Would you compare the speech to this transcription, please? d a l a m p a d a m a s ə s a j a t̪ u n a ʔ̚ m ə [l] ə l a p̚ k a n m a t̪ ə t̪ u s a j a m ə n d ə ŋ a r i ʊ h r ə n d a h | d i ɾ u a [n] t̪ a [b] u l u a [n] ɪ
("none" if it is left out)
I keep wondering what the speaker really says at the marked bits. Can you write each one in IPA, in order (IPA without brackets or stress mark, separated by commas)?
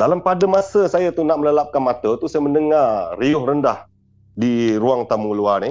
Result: l, ŋ, m, n